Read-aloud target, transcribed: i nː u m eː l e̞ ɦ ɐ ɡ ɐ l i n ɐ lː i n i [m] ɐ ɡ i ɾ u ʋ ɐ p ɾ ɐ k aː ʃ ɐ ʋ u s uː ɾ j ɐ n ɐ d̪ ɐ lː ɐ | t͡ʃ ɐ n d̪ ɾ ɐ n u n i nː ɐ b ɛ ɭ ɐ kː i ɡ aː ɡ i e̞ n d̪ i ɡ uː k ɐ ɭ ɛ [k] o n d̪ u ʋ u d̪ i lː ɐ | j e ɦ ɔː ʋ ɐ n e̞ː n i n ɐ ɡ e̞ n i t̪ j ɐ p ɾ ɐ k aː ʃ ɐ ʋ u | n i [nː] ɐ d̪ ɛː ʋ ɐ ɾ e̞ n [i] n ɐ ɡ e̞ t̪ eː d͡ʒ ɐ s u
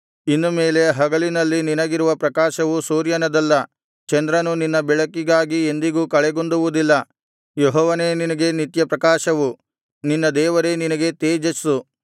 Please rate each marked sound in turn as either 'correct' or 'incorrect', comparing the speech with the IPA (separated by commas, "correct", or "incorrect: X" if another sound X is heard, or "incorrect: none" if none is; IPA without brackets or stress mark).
incorrect: n, incorrect: ɡ, correct, correct